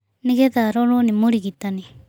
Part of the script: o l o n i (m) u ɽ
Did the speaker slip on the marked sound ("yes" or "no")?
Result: no